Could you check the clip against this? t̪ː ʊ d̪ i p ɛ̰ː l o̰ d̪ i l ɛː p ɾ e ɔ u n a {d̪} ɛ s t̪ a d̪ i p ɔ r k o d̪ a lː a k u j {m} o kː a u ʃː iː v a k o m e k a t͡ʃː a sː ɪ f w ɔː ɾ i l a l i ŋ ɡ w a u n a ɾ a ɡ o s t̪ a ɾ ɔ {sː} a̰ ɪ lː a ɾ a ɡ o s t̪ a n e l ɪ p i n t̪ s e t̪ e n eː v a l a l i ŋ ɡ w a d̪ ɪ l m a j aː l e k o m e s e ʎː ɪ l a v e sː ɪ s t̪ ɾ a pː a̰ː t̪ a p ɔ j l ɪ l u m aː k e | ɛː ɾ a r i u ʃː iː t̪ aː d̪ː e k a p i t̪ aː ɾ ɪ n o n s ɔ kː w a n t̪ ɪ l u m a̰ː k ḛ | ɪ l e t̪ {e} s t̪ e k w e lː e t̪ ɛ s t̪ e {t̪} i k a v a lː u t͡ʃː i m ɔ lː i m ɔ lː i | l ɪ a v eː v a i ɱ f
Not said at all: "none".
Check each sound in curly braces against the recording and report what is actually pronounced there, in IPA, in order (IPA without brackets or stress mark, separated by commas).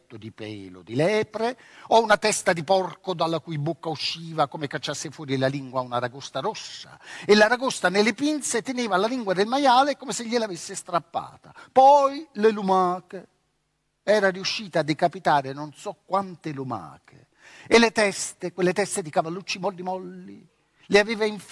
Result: t̪, b, sː, ɛ, d̪